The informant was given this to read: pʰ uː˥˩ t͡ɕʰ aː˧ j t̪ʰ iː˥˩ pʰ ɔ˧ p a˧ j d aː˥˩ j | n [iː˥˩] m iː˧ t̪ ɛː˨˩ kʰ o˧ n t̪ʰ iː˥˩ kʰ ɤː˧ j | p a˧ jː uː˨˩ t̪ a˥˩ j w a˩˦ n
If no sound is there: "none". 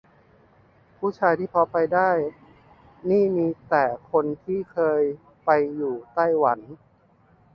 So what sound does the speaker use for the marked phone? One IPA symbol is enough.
iː˥˩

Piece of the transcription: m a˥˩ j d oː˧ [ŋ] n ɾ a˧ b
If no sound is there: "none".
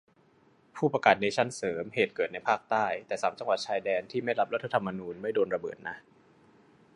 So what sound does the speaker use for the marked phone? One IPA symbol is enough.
none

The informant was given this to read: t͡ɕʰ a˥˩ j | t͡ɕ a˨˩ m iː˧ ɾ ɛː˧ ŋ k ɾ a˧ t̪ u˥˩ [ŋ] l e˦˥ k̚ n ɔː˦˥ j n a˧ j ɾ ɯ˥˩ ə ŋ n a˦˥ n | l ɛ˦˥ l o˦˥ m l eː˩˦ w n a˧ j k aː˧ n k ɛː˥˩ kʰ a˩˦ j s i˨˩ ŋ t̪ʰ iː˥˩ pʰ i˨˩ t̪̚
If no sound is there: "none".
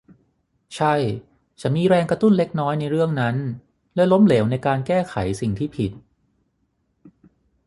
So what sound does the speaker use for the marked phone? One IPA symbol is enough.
n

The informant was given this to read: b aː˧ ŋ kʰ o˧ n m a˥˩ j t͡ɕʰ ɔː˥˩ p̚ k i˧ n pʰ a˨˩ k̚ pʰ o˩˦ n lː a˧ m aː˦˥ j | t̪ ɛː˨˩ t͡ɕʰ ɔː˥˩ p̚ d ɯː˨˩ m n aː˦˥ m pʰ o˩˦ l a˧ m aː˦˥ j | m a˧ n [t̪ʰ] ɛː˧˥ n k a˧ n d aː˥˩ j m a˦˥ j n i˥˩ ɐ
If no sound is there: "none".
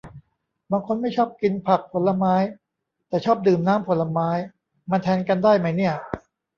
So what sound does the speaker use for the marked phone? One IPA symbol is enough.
t̪ʰ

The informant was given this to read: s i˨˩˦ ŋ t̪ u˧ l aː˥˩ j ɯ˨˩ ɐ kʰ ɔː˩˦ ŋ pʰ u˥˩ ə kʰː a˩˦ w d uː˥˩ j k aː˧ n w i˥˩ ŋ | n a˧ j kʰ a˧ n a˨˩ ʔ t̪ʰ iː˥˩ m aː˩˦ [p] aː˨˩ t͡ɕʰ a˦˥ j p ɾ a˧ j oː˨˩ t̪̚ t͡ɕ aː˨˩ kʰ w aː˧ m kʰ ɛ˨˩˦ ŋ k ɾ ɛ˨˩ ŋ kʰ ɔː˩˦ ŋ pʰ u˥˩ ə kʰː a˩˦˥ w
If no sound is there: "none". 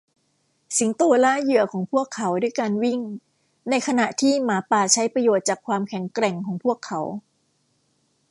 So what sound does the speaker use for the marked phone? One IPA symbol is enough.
p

